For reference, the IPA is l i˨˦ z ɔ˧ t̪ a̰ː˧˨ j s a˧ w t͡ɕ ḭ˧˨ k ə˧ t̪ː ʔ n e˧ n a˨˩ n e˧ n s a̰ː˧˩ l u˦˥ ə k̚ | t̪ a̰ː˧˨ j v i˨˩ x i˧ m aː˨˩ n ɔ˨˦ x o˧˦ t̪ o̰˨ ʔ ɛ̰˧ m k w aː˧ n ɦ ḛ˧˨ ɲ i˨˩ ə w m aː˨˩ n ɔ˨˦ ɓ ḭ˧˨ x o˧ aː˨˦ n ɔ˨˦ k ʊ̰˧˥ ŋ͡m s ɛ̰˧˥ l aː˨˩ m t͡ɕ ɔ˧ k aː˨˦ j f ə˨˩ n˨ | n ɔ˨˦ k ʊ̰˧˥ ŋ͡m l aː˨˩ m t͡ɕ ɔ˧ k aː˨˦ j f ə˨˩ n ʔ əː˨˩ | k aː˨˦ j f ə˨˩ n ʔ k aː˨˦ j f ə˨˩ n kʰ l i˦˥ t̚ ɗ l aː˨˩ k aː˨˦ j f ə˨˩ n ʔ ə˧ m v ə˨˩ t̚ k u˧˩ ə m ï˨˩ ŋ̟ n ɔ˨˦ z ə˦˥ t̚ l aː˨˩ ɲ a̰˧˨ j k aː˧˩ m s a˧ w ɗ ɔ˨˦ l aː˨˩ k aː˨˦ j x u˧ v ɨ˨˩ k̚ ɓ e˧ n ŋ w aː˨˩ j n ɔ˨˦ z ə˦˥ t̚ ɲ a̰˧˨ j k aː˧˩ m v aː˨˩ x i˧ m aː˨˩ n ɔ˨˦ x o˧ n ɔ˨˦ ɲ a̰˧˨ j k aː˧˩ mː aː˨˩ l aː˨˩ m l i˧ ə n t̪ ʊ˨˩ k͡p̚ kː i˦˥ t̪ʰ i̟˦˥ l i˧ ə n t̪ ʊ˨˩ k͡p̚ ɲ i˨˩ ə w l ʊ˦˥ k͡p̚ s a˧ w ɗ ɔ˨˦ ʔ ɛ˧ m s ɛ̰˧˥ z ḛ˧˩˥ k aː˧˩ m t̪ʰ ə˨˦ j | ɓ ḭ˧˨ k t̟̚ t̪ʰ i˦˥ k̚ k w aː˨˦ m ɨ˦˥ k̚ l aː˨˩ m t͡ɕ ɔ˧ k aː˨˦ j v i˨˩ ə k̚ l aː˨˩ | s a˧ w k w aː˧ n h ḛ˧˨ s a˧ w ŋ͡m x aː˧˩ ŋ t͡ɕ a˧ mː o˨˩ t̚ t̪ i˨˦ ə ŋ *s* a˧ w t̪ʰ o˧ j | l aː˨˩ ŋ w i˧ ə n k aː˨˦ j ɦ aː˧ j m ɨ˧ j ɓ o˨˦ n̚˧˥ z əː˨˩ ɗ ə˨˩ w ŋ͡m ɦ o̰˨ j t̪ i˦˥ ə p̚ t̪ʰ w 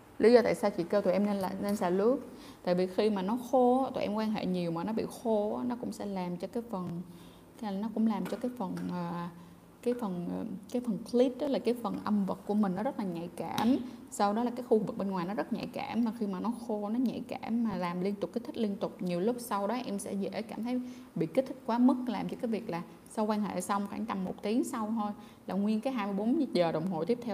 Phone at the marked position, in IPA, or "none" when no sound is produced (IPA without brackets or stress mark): s